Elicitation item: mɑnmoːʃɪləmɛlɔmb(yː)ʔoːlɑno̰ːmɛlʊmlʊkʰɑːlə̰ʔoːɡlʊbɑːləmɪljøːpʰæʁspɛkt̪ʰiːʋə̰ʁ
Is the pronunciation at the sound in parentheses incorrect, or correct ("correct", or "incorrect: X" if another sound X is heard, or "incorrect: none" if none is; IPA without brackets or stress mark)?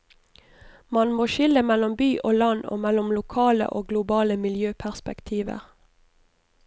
correct